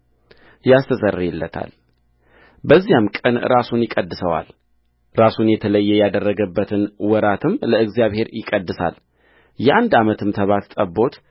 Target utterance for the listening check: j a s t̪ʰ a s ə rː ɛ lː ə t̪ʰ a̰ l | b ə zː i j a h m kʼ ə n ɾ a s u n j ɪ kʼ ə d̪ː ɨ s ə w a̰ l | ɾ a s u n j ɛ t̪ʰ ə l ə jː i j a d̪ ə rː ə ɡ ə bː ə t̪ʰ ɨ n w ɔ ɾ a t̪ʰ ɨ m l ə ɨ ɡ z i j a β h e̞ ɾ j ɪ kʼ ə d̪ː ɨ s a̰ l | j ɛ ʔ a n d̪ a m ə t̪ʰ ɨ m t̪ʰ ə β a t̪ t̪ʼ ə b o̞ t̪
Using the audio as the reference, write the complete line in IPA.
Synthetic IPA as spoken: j a s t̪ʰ ə s ə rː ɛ lː ə t̪ʰ a̰ l | b ə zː i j a m kʼ ə n ɾ a s u n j ɪ kʼ ə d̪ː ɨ s ə w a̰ l | ɾ a s u n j ɛ t̪ʰ ə l ə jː ɛ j a d̪ ə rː ə ɡ ə bː ə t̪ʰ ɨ n w ɔ ɾ a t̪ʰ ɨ m l ə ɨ ɡ z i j a β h e̞ ɾ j ɪ kʼ ə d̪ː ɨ s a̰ l | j ɛ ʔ a n d̪ a m ə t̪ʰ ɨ m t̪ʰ ə β a t̪ t̪ʼ ə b o̞ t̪

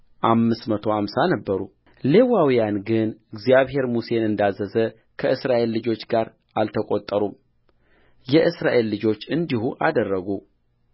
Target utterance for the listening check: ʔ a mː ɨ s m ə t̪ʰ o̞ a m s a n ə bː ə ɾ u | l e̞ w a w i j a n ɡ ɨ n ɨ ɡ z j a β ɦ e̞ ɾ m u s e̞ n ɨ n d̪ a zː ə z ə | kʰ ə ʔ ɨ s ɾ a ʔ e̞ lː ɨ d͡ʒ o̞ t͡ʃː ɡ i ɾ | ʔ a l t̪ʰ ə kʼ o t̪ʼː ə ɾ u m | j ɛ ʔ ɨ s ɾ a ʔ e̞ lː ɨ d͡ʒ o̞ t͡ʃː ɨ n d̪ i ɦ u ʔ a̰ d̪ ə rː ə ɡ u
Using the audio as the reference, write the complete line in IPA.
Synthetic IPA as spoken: ʔ a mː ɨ s m ə t̪ʰ o̞ a m s a n ə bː ə ɾ u | l e̞ w a w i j a n ɡ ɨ n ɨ ɡ z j a β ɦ e̞ ɾ m u s e̞ n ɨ n d̪ a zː ə z ə | kʰ ə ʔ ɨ s ɾ a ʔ e̞ lː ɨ d͡ʒ o̞ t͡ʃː ɡ a ɾ | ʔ a l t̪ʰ ə kʼ o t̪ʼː ə ɾ u m | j ɛ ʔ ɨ s ɾ a ʔ e̞ lː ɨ d͡ʒ o̞ t͡ʃː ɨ n d̪ i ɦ u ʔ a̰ d̪ ə rː ə ɡ u

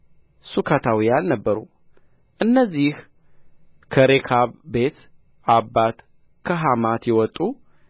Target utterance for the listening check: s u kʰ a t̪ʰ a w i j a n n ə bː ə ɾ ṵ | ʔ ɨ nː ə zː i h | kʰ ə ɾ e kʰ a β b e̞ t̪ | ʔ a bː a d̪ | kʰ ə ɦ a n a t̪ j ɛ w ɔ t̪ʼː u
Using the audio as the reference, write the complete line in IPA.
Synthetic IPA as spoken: s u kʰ a t̪ʰ a w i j a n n ə bː ə ɾ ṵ | ʔ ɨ nː ə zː i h | kʰ ə ɾ e kʰ a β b e̞ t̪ | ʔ a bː a t̪ | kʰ ə ɦ a m a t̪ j ɛ w ɔ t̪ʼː u

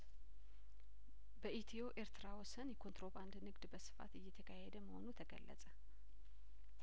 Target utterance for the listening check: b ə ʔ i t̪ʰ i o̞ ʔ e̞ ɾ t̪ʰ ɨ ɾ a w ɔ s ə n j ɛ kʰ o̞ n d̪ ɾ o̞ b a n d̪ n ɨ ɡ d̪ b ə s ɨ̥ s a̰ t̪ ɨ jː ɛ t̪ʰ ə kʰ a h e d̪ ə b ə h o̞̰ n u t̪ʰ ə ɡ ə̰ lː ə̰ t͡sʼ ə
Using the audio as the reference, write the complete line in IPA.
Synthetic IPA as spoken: b ə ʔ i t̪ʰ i o̞ ʔ e̞ ɾ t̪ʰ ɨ ɾ a w ɔ s ə n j ɛ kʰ o̞ n t̪ ɾ o̞ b a n d̪ n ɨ ɡ d̪ b ə s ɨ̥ f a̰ t̪ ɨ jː ɛ t̪ʰ ə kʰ a h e d̪ ə m ə h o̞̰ n u t̪ʰ ə ɡ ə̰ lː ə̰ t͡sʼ ə

